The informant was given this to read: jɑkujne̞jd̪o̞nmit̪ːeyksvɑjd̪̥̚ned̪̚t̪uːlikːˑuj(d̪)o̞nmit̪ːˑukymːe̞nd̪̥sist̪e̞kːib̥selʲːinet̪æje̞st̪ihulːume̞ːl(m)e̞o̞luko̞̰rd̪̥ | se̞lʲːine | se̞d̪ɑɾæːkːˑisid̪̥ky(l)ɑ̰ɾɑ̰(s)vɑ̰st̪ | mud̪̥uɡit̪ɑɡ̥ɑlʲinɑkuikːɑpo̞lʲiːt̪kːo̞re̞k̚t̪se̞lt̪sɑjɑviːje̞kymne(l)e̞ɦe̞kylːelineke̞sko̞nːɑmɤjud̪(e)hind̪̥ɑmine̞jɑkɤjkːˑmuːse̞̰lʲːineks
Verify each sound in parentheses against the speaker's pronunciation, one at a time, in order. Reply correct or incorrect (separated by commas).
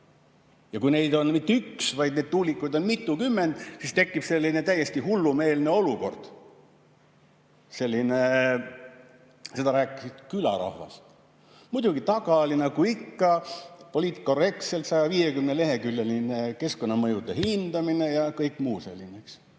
correct, incorrect, correct, incorrect, correct, correct